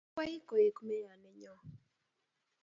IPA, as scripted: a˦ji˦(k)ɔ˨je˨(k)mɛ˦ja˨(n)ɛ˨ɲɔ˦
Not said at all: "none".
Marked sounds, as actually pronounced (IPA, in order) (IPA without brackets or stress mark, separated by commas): k, k, n